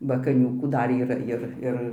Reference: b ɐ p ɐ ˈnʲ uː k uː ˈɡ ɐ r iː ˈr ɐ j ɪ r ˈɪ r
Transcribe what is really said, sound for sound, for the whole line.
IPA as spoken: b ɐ k ɐ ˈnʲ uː k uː ˈd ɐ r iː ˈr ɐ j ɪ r ˈɪ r